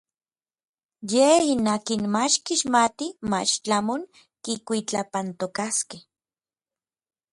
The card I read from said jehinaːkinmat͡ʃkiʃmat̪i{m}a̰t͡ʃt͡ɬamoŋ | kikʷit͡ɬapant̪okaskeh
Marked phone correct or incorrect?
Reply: correct